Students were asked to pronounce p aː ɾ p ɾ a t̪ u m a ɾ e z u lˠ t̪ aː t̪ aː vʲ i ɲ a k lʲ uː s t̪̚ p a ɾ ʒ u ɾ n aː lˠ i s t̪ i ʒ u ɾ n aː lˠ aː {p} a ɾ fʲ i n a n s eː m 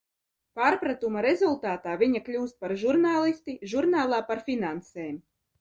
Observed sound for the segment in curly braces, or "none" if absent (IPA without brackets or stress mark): p